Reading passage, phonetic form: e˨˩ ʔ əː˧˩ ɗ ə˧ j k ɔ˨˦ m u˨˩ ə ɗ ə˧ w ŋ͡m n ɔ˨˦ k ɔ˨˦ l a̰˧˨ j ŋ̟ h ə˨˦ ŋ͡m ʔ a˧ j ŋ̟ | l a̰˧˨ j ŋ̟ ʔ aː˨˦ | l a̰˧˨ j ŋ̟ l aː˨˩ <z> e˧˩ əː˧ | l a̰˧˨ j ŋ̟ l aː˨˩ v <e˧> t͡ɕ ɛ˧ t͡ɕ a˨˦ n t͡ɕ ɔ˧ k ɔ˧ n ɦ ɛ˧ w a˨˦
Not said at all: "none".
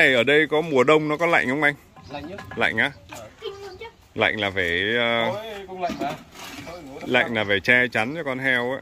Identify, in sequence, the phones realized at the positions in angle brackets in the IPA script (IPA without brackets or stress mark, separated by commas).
v, e˨˩